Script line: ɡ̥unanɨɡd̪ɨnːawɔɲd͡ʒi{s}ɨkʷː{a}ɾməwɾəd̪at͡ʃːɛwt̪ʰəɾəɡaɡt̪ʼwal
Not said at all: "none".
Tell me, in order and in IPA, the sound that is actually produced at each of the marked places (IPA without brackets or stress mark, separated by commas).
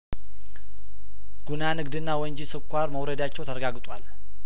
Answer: s, a